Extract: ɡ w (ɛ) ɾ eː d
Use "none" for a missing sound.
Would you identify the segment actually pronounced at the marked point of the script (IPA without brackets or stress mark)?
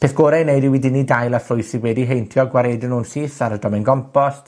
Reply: a